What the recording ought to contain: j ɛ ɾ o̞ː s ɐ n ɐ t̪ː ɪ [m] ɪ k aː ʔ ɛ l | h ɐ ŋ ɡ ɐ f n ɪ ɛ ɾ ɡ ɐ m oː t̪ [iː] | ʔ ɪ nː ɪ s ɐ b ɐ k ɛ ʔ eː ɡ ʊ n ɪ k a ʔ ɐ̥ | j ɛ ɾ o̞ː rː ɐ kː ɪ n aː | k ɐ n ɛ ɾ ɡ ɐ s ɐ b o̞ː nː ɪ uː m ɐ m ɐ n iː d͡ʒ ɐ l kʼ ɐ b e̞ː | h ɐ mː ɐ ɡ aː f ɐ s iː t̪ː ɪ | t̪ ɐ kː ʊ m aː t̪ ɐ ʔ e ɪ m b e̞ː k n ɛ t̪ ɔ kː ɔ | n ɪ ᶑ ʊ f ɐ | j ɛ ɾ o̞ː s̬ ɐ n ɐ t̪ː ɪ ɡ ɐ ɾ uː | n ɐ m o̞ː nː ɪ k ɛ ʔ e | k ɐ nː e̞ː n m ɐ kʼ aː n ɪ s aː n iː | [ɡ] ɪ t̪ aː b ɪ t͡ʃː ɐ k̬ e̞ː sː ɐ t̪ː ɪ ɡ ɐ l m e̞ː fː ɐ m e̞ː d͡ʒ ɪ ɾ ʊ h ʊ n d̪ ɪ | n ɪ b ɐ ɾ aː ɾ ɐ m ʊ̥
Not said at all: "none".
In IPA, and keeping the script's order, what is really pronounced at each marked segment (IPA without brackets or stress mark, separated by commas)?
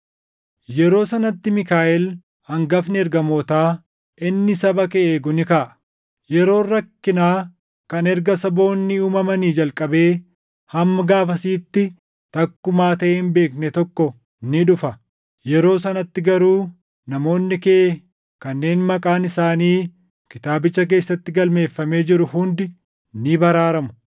m, aː, k